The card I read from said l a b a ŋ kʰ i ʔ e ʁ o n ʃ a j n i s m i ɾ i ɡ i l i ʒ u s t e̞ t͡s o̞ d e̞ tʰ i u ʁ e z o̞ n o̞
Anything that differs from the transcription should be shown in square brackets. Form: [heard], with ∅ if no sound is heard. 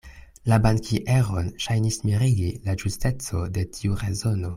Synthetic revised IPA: l a b a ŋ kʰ i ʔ e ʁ o n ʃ a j n i s m i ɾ i ɡ i l [a] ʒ u s t e̞ t͡s o̞ d e̞ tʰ i u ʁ e z o̞ n o̞